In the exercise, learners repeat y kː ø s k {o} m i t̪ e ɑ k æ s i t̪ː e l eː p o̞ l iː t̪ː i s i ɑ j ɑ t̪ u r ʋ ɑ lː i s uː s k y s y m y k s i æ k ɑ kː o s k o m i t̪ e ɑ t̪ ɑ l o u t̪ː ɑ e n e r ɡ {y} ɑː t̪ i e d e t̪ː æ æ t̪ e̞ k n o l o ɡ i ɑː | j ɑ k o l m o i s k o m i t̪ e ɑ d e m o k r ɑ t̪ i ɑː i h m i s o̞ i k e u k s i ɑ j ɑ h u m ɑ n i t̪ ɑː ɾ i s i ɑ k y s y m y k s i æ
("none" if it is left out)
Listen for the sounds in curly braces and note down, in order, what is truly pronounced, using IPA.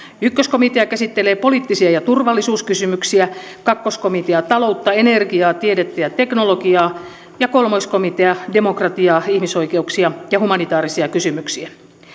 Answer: o, i

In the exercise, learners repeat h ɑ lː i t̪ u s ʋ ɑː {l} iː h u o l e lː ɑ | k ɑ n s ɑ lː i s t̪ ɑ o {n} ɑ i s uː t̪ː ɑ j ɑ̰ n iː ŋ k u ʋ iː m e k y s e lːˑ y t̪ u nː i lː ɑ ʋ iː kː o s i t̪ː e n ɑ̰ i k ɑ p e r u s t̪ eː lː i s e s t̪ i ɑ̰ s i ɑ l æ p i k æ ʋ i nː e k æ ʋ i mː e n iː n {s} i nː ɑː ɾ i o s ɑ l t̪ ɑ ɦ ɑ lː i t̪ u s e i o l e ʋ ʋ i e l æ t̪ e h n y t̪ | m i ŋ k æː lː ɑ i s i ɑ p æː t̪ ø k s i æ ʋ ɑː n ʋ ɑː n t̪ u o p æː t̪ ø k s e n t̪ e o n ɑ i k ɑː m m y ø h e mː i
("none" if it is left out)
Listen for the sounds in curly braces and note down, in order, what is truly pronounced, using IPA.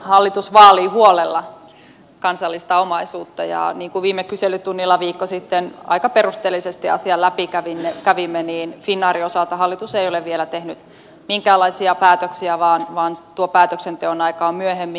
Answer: l, m, f

